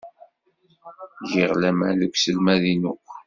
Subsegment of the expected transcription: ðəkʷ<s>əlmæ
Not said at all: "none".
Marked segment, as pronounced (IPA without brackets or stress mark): s